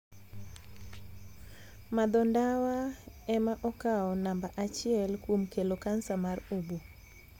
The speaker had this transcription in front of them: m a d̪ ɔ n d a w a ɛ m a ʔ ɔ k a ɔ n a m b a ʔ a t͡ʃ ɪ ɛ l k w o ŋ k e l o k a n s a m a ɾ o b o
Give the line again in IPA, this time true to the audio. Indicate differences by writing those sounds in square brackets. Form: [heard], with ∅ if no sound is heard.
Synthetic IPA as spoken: m a d̪ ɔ n d a w a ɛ m a ʔ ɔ k a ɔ n a m b a ʔ a t͡ʃ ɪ ɛ l k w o [m] k e l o k a n s a m a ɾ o b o